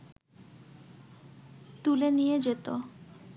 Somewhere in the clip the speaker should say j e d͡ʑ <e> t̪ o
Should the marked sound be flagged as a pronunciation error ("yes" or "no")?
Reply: no